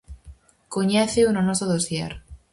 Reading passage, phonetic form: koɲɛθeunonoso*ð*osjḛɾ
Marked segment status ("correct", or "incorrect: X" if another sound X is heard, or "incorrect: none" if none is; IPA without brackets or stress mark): correct